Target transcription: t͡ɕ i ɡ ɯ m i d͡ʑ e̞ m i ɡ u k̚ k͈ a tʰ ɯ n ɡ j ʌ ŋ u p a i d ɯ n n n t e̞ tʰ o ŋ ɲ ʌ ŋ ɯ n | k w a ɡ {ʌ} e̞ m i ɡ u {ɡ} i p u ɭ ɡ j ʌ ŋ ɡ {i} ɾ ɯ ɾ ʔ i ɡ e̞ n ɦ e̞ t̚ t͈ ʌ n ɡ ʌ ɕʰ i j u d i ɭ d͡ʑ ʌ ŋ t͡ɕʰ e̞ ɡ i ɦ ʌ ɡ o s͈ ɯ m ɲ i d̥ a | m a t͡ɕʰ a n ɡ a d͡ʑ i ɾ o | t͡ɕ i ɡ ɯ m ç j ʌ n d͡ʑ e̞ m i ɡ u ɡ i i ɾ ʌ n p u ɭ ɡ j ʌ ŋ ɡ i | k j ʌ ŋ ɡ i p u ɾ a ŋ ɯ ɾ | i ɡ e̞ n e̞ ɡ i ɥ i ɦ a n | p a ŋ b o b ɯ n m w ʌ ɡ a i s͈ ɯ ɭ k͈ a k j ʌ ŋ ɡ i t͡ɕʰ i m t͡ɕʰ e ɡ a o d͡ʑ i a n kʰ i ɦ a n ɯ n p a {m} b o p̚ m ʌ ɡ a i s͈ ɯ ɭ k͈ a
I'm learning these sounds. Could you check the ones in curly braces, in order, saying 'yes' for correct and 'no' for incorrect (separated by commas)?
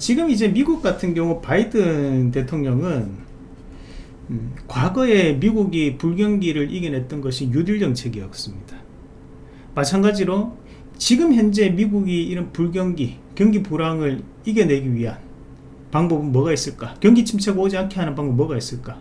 yes, yes, yes, no